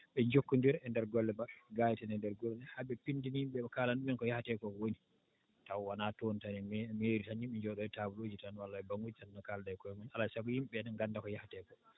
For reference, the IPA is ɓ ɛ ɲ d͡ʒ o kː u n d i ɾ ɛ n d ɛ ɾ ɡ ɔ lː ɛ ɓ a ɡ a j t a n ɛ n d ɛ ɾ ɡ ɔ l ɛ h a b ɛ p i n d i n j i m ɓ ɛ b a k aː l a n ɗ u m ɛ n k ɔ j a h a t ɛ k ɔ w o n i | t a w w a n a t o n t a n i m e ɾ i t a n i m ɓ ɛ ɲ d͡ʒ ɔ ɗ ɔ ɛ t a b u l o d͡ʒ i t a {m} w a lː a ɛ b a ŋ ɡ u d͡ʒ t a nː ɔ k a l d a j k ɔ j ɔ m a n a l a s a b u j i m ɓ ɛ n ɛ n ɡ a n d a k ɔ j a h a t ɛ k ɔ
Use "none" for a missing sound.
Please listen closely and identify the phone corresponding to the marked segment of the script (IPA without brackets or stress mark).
n